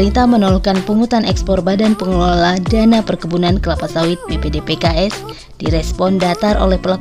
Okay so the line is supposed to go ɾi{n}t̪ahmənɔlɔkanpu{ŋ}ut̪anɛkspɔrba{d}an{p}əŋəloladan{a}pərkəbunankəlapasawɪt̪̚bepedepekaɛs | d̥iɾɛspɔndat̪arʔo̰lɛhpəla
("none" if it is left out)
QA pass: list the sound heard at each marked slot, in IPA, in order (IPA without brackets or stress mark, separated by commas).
n, ŋ, d, p, a